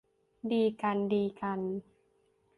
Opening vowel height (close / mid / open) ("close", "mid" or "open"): close